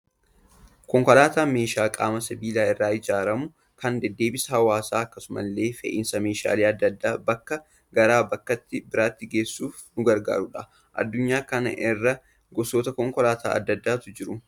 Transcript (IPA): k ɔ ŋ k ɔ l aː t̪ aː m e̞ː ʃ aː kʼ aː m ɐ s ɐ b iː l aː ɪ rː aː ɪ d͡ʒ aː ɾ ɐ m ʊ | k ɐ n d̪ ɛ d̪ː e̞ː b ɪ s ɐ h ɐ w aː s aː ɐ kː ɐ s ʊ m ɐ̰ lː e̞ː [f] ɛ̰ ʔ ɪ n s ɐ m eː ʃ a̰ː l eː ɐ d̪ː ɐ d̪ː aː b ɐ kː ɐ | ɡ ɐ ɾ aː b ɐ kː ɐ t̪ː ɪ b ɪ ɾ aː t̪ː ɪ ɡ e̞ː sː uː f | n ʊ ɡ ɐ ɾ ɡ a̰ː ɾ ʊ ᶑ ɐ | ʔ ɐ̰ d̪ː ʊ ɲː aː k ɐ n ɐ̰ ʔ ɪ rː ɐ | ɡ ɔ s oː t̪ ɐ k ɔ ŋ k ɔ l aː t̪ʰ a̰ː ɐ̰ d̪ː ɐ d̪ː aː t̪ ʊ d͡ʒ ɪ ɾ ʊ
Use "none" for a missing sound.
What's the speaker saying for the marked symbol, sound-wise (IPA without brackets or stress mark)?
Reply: f